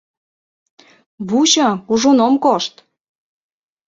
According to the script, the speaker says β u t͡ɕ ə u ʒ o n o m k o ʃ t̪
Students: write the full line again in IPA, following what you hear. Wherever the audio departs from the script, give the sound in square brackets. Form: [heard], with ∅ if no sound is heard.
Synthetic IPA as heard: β u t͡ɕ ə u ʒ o n o m k o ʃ t̪